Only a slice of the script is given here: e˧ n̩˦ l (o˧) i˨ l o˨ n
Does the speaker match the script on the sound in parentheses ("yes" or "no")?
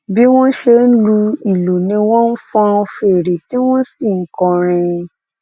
no